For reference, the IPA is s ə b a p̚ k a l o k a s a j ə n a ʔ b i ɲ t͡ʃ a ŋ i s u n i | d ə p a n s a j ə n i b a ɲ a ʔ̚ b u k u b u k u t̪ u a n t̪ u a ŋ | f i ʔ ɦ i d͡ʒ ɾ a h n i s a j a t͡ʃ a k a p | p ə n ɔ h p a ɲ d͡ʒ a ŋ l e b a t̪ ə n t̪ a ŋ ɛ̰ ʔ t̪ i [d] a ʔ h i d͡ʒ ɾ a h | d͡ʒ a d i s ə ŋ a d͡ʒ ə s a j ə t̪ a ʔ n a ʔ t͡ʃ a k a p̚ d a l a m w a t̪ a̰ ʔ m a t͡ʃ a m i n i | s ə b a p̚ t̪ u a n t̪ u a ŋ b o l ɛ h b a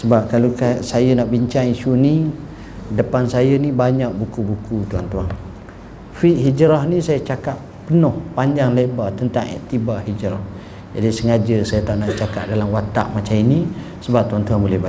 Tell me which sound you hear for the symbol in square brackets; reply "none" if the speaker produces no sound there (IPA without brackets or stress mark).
b